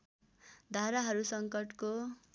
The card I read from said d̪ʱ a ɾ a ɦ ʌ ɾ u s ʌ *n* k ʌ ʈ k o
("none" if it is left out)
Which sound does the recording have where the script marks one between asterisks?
ŋ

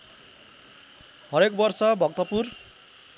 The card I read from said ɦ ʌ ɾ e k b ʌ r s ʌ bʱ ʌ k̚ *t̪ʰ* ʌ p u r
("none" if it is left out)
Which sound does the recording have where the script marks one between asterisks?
t̪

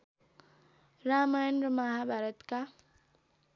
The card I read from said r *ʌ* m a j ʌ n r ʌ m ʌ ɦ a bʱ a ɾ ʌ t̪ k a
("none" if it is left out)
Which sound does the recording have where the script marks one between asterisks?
a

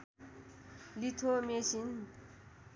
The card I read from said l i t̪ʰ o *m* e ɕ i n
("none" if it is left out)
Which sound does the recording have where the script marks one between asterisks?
m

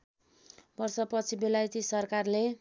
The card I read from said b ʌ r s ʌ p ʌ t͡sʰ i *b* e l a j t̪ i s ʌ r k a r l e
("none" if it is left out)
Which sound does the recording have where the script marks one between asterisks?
b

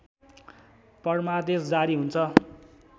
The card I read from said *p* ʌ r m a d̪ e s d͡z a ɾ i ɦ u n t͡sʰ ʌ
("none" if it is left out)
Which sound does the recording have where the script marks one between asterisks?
p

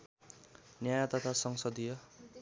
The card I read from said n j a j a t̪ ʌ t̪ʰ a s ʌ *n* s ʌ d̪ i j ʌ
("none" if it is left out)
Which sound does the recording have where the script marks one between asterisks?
ŋ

